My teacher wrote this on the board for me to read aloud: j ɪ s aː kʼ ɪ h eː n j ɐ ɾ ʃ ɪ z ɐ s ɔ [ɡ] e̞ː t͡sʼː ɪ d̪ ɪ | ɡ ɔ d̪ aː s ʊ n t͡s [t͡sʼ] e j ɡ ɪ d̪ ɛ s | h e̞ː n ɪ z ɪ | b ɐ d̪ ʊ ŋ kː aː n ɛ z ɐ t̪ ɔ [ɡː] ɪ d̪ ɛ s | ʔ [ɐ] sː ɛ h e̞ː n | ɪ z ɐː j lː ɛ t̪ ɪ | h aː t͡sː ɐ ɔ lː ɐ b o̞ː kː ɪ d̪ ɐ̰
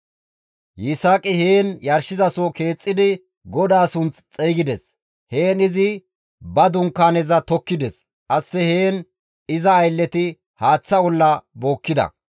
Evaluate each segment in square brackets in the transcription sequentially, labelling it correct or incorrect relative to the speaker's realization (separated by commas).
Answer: incorrect, correct, incorrect, correct